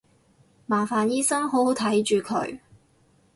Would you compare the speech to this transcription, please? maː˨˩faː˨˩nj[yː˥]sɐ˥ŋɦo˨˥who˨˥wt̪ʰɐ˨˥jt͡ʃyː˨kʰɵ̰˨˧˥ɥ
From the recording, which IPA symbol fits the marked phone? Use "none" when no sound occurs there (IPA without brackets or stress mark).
iː˥